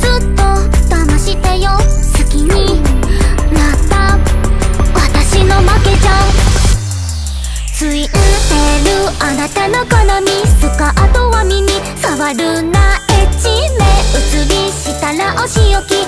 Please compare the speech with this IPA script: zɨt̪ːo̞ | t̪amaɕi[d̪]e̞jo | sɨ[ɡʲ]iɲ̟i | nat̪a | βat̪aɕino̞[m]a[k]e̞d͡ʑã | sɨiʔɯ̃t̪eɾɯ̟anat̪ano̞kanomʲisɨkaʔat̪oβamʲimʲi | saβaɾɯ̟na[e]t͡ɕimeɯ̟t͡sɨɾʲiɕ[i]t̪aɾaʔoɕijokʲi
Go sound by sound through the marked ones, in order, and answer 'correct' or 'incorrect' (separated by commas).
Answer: incorrect, incorrect, correct, correct, correct, correct